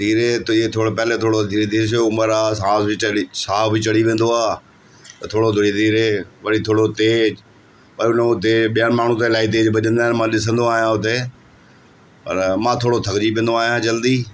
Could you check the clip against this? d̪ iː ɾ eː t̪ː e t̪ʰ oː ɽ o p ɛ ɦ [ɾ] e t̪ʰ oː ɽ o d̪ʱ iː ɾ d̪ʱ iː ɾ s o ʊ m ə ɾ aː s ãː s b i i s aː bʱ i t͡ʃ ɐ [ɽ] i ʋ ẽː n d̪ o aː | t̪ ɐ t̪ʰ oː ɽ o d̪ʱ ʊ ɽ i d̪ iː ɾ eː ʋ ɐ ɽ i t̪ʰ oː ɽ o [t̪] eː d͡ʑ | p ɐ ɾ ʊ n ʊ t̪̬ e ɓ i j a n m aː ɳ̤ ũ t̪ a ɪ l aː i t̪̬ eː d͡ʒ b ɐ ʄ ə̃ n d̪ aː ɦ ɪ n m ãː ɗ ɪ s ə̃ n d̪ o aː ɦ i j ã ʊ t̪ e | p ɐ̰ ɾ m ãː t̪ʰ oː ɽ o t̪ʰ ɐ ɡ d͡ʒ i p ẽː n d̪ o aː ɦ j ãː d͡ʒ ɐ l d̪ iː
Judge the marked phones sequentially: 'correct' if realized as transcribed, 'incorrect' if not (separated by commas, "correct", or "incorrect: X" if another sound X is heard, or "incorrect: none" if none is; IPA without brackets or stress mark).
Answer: incorrect: l, correct, correct